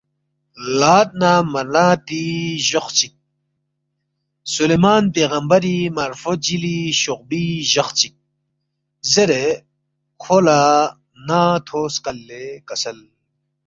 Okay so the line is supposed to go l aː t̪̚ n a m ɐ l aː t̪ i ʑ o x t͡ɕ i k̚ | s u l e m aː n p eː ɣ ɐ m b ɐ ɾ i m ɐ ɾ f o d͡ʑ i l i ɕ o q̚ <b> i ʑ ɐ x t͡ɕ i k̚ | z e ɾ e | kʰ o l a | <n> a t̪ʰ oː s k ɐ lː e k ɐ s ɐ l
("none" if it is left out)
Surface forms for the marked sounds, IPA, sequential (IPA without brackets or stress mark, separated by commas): b, n